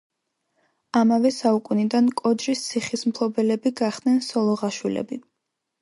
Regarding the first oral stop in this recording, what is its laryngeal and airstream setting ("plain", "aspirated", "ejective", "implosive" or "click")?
ejective